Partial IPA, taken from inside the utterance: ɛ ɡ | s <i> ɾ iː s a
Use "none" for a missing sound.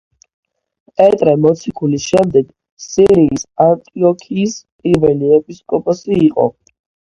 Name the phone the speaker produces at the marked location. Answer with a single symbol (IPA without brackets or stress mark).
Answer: i